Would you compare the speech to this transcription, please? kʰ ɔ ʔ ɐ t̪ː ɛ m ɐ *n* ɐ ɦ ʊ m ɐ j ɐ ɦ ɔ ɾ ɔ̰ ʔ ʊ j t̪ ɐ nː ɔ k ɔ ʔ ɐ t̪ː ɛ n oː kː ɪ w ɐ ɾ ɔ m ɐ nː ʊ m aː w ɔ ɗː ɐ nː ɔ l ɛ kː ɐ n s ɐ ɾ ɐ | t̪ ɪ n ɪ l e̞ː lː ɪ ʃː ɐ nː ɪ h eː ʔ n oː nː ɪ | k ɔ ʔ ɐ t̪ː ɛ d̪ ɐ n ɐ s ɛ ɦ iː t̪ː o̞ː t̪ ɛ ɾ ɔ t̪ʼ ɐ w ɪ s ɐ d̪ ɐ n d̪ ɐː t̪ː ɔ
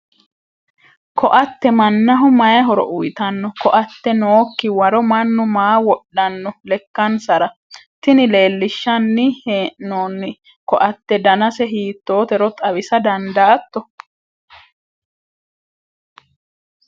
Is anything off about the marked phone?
yes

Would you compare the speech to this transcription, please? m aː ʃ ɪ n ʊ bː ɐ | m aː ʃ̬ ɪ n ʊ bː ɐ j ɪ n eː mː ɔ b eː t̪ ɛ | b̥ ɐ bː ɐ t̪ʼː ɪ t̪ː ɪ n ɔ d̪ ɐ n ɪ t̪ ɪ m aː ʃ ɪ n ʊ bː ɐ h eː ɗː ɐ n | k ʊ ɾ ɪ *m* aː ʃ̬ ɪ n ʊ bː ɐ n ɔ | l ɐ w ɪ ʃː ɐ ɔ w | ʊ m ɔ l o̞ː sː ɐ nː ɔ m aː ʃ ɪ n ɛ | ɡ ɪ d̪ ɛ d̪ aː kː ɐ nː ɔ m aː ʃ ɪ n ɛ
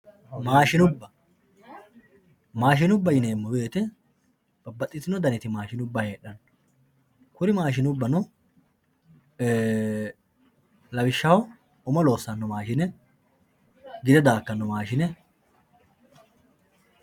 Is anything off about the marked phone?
no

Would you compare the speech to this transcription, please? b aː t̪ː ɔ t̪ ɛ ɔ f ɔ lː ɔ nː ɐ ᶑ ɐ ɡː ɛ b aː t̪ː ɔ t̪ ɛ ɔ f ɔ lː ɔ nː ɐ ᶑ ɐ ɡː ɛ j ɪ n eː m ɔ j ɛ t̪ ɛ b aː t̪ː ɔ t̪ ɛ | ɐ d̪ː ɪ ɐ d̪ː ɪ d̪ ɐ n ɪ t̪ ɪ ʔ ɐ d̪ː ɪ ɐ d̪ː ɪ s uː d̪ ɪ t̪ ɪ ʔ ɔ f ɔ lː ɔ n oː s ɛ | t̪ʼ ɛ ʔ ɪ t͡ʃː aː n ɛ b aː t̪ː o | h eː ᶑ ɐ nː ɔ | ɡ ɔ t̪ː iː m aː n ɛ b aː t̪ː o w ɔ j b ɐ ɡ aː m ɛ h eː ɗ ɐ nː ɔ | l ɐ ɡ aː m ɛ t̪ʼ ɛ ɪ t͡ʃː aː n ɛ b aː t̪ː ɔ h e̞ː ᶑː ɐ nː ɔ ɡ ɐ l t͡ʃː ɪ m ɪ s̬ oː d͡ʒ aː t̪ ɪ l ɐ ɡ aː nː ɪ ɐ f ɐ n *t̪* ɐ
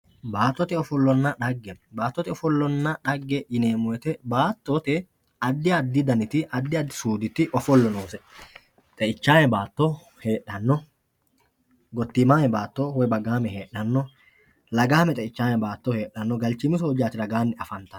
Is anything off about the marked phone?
no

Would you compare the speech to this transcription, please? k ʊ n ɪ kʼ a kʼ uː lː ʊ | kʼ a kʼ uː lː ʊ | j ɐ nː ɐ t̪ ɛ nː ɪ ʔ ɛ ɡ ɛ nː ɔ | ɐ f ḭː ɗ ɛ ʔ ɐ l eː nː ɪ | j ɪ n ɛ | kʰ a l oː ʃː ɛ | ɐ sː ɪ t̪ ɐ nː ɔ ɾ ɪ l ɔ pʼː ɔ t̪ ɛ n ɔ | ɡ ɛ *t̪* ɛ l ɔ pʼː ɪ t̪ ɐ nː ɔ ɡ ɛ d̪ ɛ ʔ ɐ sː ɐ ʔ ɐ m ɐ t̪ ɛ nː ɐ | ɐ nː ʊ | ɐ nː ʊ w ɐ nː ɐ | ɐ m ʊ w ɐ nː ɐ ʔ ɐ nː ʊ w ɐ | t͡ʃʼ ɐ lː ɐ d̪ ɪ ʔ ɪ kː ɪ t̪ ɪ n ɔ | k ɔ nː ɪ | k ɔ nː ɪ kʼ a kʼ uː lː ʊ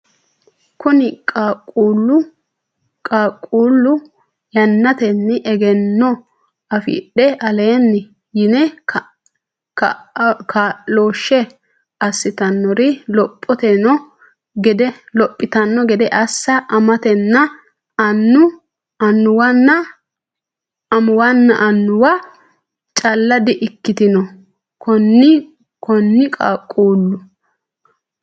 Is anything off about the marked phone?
yes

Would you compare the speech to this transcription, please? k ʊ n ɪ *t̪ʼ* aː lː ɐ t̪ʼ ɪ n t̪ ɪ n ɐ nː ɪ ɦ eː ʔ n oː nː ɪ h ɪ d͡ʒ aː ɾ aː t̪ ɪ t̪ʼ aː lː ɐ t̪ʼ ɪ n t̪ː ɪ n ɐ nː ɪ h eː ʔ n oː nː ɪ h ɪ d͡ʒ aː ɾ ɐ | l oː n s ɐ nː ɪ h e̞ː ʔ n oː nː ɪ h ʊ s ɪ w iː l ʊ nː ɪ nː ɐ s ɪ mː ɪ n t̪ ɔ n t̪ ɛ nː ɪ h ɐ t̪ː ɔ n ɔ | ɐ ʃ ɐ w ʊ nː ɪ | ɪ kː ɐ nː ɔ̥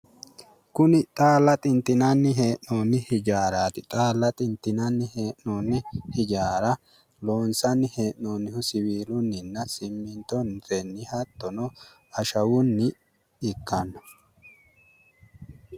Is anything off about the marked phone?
no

